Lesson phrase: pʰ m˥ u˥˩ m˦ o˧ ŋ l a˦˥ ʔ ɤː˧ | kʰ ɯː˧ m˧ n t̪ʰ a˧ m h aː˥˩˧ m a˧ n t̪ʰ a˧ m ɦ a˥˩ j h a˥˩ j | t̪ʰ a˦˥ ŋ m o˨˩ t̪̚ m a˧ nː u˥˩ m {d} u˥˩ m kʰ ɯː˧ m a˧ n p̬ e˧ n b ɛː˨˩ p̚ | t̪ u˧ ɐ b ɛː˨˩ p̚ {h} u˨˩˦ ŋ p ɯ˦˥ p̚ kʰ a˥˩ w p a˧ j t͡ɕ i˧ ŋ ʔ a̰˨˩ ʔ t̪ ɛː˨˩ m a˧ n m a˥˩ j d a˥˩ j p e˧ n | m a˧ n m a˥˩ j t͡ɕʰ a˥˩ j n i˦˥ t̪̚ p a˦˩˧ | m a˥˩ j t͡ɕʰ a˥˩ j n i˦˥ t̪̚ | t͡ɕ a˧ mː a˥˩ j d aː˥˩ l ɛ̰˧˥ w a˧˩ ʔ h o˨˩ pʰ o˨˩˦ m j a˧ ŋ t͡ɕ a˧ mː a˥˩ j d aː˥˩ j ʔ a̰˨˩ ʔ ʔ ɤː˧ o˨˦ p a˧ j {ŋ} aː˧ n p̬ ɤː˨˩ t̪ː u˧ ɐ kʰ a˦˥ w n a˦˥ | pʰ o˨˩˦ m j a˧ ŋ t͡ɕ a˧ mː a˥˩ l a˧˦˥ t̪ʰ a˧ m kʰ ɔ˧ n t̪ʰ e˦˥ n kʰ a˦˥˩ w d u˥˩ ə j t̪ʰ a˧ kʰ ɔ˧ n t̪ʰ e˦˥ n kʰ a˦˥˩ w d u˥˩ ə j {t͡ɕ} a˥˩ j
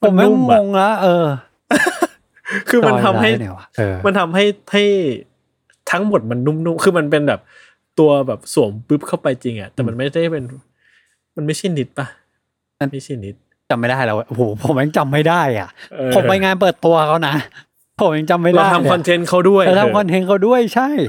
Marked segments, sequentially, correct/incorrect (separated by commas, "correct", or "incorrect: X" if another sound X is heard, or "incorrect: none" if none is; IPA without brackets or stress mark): incorrect: n, incorrect: s, correct, incorrect: t͡ɕʰ